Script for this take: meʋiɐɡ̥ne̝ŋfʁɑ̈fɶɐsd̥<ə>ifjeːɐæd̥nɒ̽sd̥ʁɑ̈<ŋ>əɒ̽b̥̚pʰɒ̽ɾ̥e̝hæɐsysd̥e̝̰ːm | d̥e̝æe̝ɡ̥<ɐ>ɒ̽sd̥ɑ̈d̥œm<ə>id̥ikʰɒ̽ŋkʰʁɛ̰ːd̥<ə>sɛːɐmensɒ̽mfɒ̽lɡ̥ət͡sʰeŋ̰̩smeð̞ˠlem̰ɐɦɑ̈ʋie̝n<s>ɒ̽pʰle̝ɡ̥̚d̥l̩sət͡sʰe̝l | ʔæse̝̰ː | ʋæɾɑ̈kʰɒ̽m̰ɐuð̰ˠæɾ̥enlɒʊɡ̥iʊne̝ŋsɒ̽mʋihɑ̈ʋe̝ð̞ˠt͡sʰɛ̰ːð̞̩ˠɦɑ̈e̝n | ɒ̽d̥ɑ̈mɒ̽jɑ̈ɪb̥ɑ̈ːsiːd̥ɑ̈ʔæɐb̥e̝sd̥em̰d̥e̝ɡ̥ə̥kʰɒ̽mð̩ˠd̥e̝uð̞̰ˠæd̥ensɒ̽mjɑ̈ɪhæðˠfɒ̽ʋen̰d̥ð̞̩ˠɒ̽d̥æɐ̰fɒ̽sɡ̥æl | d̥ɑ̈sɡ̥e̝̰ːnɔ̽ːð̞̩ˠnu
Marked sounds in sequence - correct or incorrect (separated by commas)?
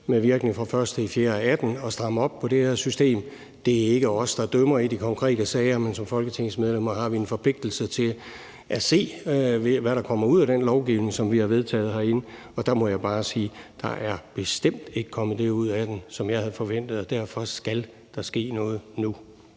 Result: correct, incorrect, incorrect, incorrect, correct, incorrect